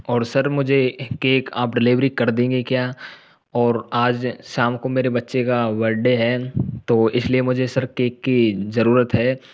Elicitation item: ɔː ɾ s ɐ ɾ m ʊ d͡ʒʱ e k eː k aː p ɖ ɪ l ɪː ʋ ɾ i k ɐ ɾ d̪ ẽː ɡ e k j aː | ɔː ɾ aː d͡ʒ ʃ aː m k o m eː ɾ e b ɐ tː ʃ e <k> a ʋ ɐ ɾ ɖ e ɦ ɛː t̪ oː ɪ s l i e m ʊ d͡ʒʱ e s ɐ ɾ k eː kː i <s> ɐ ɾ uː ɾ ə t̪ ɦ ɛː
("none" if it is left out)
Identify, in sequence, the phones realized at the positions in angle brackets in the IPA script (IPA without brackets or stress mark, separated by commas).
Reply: k, z